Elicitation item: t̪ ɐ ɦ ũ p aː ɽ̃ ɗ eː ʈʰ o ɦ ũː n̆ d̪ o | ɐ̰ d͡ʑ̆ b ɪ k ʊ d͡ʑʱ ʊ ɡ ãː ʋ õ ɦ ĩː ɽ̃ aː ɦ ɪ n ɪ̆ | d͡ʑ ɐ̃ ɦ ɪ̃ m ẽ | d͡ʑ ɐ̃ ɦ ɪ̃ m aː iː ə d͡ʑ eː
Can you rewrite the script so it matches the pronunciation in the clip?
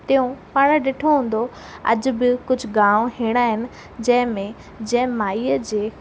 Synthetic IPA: t̪ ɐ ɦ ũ p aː ɽ̃ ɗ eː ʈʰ o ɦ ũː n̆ d̪ o | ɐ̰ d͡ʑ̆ b ɪ k ʊ d͡ʑʱ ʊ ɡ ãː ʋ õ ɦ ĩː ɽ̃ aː ɦ ɪ n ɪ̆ | d͡ʑ ɐ̃ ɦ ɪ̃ m ẽ | d͡ʑ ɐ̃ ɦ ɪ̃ m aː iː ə d͡ʑ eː